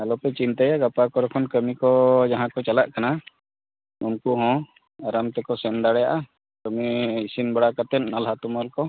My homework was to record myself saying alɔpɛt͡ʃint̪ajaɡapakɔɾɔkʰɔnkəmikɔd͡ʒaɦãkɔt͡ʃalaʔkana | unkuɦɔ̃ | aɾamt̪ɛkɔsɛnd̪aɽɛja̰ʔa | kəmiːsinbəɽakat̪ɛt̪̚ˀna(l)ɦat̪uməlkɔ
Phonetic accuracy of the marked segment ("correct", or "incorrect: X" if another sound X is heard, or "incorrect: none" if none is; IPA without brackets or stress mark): correct